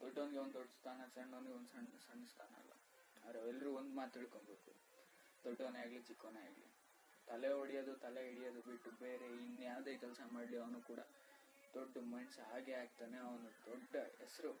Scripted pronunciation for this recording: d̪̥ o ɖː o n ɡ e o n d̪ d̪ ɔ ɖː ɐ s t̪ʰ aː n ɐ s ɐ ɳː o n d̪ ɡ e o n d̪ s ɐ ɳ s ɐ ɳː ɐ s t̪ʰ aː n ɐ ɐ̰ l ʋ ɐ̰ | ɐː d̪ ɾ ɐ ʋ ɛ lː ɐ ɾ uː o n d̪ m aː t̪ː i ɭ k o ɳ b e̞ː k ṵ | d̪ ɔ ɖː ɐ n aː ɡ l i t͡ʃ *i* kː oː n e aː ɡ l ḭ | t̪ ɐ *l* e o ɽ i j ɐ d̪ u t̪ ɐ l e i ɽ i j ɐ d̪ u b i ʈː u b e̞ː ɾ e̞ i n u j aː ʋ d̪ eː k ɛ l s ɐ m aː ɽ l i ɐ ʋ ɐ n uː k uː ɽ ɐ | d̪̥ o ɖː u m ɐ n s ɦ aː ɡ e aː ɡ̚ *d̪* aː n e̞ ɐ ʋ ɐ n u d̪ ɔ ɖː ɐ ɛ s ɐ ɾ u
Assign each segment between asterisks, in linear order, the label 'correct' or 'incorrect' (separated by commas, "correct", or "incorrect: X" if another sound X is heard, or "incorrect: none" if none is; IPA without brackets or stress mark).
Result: correct, correct, incorrect: t̪